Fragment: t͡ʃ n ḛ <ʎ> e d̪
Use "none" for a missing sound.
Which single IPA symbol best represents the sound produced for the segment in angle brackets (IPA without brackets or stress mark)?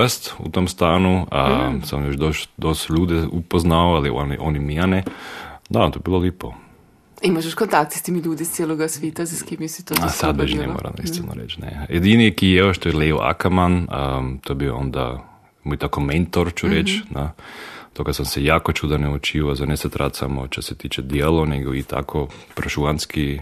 j